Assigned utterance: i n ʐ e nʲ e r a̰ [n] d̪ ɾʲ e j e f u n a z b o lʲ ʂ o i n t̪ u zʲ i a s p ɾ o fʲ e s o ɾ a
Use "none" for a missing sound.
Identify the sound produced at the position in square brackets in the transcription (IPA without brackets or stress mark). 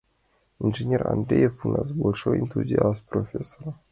n